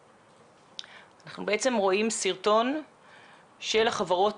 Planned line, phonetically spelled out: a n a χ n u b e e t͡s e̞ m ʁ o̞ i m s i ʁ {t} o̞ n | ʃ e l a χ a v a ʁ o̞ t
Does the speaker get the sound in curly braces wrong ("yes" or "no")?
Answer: no